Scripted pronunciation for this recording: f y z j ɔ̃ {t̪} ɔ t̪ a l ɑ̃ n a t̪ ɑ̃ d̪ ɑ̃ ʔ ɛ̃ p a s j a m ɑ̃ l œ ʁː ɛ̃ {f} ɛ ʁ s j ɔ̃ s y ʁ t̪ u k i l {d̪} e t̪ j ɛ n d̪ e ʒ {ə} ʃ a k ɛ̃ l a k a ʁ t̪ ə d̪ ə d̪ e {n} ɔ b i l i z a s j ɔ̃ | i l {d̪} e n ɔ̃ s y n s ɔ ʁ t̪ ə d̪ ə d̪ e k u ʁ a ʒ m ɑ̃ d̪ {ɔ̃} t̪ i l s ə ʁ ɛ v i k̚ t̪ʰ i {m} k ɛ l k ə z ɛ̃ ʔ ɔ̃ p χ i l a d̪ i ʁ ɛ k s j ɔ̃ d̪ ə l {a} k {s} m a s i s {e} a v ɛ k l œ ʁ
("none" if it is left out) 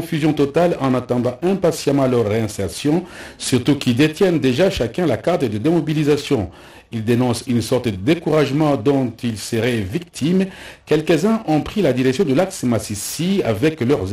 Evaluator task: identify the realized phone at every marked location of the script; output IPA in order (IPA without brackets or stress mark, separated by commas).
t̪, s, d̪, a, m, d̪, ɔ̃, m, a, s, i